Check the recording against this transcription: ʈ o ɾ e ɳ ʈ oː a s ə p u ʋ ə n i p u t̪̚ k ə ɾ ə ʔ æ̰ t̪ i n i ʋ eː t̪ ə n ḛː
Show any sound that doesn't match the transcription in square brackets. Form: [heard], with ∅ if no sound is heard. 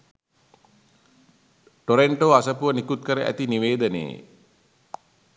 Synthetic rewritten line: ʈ o ɾ e ɳ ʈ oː a s ə p u ʋ ə n i [k] u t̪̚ k ə ɾ ə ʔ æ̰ t̪ i n i ʋ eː [d̪] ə n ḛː